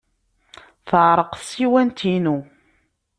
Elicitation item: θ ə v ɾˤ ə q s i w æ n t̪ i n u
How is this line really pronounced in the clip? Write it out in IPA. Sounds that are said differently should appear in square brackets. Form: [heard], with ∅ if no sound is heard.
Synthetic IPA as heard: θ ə [ʕ] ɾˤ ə q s i w æ n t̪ i n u